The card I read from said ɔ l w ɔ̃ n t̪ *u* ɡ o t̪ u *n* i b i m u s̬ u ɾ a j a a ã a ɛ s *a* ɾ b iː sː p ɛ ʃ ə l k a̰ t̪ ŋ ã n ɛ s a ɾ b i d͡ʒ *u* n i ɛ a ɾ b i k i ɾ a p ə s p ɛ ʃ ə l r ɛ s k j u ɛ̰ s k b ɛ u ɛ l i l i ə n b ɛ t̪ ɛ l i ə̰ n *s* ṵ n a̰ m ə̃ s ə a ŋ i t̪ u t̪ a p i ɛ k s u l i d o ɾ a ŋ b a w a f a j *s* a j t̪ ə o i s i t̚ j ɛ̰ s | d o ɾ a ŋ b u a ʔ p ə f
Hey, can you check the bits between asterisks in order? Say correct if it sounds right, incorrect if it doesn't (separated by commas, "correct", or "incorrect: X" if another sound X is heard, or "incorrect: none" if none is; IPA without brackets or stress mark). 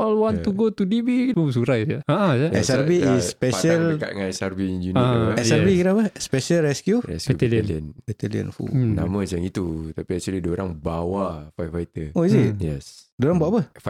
correct, incorrect: d, correct, correct, incorrect: f, incorrect: f